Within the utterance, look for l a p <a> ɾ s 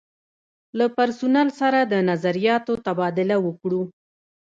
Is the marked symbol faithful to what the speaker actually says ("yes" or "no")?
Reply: yes